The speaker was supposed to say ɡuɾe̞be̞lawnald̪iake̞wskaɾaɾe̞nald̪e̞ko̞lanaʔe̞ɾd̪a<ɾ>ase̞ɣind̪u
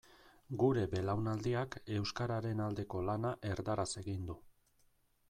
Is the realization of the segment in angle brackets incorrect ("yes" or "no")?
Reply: no